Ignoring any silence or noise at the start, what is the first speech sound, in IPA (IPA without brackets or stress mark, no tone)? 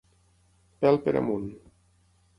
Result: p